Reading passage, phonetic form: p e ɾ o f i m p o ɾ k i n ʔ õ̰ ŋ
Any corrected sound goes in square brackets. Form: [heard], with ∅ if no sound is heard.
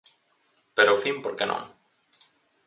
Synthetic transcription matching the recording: p e ɾ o f i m p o ɾ k [e] n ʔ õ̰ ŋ